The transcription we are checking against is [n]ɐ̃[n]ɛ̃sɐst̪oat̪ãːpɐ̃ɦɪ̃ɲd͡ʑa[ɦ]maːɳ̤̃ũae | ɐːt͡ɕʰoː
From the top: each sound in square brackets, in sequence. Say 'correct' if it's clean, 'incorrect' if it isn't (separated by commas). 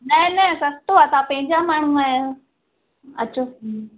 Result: correct, correct, incorrect